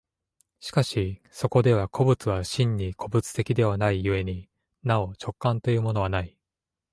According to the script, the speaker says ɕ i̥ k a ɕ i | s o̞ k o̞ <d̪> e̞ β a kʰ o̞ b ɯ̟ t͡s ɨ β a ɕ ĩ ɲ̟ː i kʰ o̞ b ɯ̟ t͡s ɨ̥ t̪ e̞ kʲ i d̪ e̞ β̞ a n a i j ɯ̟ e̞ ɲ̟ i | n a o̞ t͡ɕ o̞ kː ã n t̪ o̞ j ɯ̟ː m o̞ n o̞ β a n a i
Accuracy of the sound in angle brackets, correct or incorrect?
correct